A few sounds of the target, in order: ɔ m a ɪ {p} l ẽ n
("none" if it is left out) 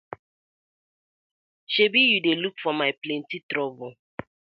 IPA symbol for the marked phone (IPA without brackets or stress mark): p